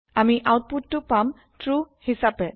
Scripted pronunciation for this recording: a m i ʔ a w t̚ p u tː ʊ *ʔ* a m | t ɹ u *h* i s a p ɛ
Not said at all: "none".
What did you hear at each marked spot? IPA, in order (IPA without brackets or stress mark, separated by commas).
p, h